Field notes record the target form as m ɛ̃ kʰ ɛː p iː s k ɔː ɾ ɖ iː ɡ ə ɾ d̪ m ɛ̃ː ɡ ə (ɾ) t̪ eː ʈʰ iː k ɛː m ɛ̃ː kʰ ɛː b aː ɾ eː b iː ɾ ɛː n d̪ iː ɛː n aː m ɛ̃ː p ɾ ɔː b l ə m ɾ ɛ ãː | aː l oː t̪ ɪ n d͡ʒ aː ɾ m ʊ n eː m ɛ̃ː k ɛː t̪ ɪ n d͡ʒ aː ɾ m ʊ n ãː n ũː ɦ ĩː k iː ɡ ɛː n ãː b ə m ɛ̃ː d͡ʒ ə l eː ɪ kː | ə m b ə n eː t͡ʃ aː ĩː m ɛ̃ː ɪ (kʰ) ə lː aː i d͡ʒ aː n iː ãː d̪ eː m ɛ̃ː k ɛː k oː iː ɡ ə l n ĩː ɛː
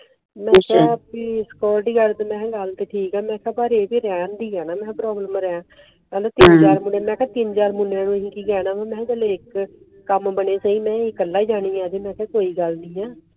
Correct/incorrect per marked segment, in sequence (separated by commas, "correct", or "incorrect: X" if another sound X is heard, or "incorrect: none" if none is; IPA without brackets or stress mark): incorrect: l, incorrect: k